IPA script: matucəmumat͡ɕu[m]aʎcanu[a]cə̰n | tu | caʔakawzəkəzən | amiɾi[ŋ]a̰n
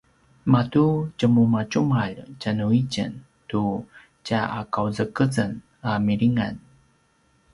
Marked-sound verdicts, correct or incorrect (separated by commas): correct, incorrect, correct